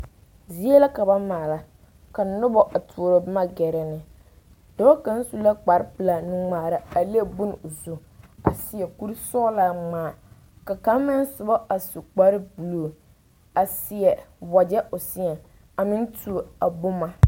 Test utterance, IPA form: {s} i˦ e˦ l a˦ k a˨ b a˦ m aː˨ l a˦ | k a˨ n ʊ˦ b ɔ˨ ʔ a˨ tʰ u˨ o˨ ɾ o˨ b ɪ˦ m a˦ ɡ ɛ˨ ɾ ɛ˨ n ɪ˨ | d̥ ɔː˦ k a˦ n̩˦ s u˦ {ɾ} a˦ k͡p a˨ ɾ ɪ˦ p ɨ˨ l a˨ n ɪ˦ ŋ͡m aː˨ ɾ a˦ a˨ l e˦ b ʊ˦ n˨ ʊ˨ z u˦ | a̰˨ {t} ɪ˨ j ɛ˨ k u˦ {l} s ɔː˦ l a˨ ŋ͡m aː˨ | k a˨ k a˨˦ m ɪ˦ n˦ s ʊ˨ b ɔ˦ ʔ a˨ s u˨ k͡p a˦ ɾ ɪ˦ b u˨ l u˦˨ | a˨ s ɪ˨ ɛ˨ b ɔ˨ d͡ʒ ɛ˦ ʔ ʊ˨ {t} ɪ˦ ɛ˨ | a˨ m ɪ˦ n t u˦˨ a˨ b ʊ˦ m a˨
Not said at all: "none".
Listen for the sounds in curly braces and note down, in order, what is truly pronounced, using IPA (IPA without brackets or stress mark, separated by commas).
z, l, s, ɾ, s